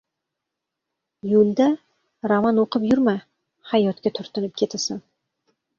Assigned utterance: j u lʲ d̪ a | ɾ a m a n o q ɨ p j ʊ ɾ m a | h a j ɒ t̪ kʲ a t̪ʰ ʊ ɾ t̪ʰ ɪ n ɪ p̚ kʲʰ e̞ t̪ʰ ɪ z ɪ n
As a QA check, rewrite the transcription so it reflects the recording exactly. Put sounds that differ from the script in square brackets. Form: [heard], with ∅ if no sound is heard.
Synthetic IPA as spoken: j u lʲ d̪ a | ɾ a m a n o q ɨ p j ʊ ɾ m a | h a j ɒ t̪ kʲ a t̪ʰ ʊ ɾ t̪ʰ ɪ n ɪ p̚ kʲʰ e̞ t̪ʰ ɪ [s] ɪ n